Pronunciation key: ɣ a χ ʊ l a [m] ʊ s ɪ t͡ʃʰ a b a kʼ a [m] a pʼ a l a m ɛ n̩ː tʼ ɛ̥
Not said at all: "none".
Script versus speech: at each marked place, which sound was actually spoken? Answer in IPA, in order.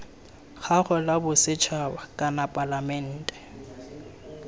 b, n

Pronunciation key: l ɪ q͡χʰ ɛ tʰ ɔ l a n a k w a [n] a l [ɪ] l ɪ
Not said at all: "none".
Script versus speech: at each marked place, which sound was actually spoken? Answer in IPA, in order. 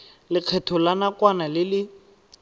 n, ɪ

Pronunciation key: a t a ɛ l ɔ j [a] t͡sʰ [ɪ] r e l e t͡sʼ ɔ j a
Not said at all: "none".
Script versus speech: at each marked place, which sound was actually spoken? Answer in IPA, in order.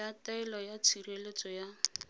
a, i

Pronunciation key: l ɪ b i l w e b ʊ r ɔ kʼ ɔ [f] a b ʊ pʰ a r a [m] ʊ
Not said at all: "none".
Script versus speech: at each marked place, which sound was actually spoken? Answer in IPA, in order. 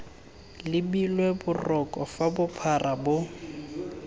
f, b

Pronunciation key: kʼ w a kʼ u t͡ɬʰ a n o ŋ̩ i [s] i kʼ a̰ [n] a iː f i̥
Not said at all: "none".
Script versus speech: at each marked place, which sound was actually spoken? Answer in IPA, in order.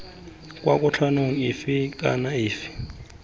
f, n

